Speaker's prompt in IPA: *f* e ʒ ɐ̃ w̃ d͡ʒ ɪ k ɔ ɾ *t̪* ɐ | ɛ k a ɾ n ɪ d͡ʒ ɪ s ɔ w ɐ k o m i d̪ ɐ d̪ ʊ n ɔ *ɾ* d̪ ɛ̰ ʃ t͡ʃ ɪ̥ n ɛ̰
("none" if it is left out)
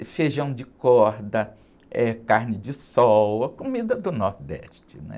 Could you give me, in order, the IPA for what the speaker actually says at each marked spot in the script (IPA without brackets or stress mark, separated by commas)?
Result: f, d̪, ɾ